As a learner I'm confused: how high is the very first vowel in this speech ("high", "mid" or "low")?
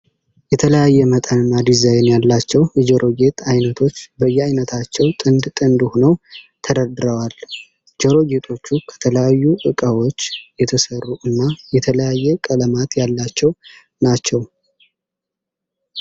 mid